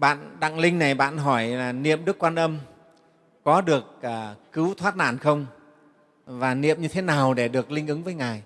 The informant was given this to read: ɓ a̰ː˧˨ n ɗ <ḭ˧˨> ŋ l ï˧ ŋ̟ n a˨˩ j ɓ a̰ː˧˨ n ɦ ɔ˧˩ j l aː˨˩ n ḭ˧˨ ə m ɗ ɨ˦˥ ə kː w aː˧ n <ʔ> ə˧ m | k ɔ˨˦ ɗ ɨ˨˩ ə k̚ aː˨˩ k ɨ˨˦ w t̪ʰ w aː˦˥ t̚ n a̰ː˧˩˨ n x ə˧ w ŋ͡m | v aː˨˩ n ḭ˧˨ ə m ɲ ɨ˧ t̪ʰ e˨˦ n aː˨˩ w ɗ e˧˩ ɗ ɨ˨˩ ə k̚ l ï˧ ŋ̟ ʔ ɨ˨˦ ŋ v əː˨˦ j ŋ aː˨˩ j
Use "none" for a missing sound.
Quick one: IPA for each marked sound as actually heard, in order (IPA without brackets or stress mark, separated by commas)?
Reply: a̰˧˨, ʔ